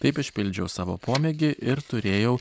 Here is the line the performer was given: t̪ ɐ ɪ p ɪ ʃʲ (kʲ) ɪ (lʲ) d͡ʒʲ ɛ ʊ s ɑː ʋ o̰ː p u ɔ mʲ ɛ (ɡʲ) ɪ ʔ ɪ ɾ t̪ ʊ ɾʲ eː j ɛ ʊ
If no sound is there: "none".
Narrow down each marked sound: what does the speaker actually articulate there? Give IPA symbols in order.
pʲ, lʲ, ɡʲ

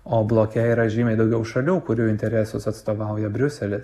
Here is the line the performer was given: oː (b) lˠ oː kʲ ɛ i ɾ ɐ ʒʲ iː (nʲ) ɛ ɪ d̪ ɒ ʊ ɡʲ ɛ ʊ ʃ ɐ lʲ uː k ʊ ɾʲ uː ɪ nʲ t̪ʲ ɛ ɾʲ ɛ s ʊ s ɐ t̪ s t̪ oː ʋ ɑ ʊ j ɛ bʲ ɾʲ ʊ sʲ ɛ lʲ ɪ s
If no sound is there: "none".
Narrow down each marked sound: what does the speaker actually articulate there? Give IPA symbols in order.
b, mʲ

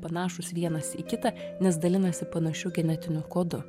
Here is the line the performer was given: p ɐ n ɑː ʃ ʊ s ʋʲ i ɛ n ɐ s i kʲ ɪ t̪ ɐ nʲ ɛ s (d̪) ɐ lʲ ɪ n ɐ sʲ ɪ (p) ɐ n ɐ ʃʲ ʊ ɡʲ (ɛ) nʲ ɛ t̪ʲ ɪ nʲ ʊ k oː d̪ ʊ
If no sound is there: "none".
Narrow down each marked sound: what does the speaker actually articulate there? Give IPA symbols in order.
d̪, p, ɛ

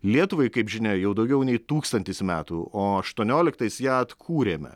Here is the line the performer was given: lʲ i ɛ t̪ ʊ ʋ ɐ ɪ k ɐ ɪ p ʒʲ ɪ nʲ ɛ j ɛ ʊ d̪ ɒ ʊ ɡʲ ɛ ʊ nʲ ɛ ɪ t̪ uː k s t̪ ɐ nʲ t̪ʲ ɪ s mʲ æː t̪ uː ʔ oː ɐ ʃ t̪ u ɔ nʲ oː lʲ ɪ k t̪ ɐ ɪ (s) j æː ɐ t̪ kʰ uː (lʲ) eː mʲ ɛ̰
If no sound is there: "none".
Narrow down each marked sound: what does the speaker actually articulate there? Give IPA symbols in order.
s, ɾʲ

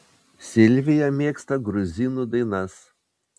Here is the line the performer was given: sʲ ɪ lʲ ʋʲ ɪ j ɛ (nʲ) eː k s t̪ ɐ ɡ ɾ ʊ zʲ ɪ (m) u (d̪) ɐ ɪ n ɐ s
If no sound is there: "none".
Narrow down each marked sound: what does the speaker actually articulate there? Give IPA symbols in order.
mʲ, n, d̪

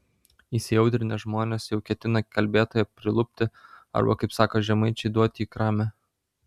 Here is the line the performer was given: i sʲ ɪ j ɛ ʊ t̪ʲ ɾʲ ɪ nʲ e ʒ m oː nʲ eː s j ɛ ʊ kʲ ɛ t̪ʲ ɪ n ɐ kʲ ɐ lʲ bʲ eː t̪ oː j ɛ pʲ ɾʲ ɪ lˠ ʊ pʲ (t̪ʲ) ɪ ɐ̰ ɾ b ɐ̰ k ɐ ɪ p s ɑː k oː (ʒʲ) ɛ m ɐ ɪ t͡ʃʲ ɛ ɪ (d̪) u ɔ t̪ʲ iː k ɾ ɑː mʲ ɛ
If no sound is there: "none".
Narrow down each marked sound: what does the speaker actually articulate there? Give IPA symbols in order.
t̪ʲ, ʒʲ, d̪

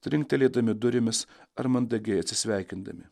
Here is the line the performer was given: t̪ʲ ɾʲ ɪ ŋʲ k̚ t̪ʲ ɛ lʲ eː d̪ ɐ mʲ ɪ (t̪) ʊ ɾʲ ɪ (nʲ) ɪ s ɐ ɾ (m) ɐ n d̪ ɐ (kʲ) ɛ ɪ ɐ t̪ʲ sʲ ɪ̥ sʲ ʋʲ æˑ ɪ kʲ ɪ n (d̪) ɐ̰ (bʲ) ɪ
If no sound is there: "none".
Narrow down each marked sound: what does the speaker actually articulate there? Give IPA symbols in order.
d̪, mʲ, m, ɡʲ, d̪, mʲ

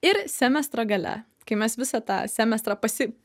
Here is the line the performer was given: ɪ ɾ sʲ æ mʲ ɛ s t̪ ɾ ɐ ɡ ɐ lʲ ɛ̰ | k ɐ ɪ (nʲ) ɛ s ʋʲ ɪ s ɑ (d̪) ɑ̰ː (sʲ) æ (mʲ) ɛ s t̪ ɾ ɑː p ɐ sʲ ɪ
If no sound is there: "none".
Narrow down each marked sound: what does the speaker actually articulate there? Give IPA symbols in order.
mʲ, t̪, sʲ, mʲ

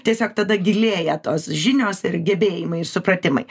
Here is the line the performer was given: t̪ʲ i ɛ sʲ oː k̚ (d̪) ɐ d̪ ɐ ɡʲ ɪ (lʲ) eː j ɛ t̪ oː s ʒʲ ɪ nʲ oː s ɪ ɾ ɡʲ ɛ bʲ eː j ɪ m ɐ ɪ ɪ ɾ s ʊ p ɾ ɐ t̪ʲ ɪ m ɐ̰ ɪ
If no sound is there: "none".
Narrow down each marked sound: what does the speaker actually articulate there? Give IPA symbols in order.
t̪, lʲ

